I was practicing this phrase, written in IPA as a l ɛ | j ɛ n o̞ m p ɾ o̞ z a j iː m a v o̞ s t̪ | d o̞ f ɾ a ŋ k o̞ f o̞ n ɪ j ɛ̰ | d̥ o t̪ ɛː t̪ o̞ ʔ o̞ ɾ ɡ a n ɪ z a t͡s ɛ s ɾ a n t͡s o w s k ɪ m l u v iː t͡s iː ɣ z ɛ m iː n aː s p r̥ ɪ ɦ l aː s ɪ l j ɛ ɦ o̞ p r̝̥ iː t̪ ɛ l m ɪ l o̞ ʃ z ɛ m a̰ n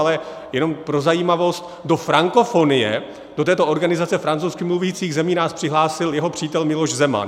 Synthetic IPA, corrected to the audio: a l ɛ | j ɛ n o̞ m p ɾ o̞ z a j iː m a v o̞ s t̪ | d o̞ f ɾ a ŋ k o̞ f o̞ n ɪ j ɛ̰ | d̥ o t̪ ɛː t̪ o̞ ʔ o̞ ɾ ɡ a n ɪ z a t͡s ɛ f ɾ a n t͡s o w s k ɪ m l u v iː t͡s iː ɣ z ɛ m iː n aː s p r̥ ɪ ɦ l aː s ɪ l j ɛ ɦ o̞ p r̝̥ iː t̪ ɛ l m ɪ l o̞ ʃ z ɛ m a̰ n